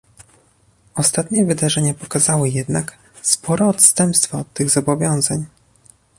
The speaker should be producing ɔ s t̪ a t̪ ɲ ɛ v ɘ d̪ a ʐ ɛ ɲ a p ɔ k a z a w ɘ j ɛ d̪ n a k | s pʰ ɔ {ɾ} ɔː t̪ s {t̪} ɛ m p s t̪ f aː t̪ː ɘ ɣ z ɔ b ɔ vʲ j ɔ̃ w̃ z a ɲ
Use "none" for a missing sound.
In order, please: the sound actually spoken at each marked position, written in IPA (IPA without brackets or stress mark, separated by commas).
ɾ, t̪